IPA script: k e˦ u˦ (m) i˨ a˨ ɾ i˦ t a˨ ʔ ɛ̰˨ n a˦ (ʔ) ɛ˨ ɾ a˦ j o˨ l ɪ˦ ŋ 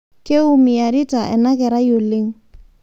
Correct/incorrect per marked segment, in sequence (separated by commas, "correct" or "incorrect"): correct, incorrect